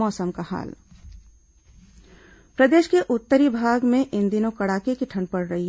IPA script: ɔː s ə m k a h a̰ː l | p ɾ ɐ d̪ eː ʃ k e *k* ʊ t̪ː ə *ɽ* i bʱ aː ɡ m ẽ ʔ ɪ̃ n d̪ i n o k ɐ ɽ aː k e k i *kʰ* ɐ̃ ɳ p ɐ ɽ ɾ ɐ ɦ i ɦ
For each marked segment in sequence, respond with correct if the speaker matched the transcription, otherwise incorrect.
incorrect: ʔ, incorrect: ɾ, incorrect: ʈʰ

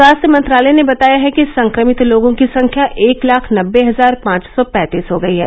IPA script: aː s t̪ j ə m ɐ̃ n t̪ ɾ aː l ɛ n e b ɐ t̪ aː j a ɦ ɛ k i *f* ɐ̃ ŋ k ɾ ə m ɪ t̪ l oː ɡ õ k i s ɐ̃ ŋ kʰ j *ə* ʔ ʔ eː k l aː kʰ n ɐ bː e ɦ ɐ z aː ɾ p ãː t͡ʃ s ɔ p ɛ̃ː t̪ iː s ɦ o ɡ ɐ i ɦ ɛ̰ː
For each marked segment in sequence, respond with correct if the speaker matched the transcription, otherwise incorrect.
incorrect: s, incorrect: a

